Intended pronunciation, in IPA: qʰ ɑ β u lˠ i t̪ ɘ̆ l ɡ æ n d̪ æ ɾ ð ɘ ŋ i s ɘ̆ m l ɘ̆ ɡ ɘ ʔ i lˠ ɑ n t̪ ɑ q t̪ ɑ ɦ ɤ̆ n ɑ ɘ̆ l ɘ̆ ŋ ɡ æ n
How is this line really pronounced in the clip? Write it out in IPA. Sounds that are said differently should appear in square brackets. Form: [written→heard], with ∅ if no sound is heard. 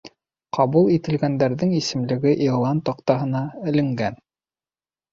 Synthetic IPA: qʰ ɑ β u lˠ i t̪ ɘ̆ l ɡ æ n d̪ æ ɾ ð ɘ ŋ i s ɘ̆ m l ɘ̆ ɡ ɘ ʔ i lˠ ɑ n t̪ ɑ q t̪ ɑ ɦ ɤ̆ n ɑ ɘ̆ l ɘ̆ ŋ ɡ æ n

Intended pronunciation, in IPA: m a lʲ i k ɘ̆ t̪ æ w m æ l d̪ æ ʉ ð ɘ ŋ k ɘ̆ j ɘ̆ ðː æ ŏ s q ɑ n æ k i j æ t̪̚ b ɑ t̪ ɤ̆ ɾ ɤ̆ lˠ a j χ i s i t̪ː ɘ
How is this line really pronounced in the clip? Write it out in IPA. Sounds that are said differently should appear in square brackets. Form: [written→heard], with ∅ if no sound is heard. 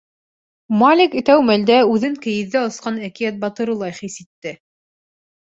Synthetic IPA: m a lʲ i k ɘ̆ t̪ æ w m æ l d̪ æ ʉ ð ɘ ŋ k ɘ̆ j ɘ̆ ðː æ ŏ s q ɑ n æ k i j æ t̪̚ b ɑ t̪ ɤ̆ ɾ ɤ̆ lˠ [a→ɑ] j χ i s i t̪ː ɘ

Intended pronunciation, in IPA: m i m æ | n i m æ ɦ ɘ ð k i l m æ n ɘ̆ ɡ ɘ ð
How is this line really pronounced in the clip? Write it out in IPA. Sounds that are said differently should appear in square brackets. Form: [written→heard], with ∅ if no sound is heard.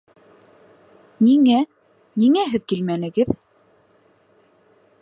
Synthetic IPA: [m→n] i [m→ŋ] æ | n i [m→ŋ] æ ɦ ɘ ð k i l m æ n ɘ̆ ɡ ɘ ð

